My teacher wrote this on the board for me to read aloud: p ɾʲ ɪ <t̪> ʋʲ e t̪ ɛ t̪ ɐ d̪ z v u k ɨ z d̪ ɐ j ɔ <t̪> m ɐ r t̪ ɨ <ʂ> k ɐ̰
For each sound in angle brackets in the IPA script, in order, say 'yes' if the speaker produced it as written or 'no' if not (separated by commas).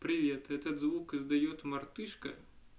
no, yes, yes